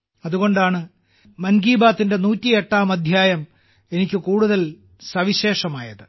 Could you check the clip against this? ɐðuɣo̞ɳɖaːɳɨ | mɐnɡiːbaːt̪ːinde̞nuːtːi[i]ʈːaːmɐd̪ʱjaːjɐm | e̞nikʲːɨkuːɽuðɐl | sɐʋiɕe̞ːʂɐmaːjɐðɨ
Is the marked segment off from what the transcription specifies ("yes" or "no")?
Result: yes